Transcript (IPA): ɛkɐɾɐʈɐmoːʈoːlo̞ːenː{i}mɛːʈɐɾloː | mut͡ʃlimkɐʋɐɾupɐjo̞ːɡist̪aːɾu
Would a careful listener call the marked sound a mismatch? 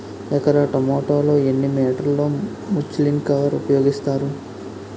no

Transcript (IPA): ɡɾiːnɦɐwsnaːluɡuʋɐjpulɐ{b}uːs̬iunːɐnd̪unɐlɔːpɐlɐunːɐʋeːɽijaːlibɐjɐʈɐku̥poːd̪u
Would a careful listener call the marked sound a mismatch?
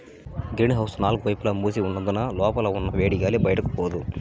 yes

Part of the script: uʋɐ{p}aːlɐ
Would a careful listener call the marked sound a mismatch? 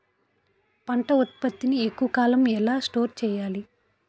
yes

